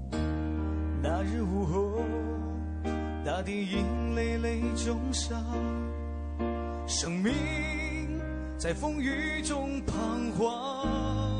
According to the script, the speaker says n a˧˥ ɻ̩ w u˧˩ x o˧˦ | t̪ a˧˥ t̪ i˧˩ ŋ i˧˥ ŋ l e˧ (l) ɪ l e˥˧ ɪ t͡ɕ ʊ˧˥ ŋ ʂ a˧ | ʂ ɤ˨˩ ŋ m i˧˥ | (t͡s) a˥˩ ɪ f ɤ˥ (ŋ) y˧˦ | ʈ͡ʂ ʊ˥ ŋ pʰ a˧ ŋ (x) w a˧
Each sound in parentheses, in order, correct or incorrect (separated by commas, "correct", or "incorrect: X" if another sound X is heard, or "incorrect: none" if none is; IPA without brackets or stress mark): incorrect: none, correct, correct, correct